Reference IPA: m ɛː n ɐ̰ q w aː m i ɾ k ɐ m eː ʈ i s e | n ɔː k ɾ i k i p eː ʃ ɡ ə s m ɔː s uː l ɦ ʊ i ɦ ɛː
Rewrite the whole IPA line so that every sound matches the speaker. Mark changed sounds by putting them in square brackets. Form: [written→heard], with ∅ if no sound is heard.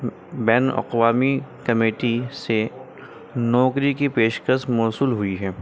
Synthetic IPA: [m→b] ɛː n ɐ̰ q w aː m i [ɾ→∅] k ɐ m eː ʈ i s e | n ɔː k ɾ i k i p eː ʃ [ɡ→k] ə s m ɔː s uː l ɦ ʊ i ɦ ɛː